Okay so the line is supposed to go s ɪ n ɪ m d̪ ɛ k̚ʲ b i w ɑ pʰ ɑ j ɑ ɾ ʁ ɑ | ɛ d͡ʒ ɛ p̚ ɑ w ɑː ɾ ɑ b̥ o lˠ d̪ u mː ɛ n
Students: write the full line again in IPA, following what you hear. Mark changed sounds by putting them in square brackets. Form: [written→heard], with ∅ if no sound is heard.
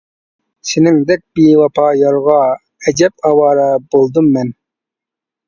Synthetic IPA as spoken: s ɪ n ɪ [m→ŋ] d̪ ɛ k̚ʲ b i w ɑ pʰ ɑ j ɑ ɾ ʁ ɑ | ɛ d͡ʒ ɛ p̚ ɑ w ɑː ɾ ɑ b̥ o lˠ d̪ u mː ɛ n